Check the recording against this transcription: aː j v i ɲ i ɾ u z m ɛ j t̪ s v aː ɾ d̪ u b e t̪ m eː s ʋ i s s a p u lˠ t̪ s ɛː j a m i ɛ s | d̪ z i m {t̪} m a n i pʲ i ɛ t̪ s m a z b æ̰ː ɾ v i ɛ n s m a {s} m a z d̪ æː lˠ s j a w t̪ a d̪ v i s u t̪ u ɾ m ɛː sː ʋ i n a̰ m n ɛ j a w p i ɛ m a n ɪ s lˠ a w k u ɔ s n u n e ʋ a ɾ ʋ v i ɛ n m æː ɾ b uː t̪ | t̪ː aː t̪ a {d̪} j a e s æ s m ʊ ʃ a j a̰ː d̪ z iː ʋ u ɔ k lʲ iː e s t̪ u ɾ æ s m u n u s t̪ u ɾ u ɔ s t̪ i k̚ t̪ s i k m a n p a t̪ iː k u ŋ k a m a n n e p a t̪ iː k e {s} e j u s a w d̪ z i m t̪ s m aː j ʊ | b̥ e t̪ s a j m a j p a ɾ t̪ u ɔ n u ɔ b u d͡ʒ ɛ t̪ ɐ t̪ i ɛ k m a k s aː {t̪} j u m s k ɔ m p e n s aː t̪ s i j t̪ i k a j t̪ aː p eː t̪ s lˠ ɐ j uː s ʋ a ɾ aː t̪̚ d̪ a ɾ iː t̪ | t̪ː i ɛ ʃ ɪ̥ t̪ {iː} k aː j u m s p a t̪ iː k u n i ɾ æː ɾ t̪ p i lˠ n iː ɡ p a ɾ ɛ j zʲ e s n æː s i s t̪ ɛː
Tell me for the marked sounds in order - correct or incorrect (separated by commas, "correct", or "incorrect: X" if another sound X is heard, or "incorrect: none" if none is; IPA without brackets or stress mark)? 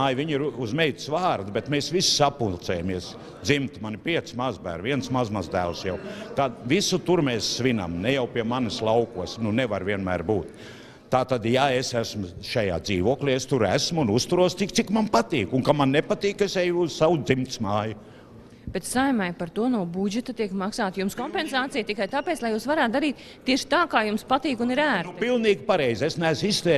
correct, incorrect: z, correct, correct, correct, incorrect: aː